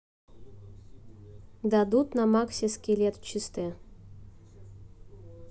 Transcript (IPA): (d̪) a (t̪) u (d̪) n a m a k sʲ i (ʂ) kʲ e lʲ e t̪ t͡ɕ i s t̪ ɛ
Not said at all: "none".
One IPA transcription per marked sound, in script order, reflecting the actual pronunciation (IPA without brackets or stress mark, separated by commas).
d̪, d̪, t̪, s